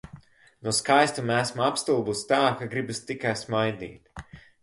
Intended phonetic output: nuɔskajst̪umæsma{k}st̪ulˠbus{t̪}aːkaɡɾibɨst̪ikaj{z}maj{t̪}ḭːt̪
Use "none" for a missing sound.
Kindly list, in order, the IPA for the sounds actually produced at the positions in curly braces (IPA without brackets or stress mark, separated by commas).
p, t̪, s, d̪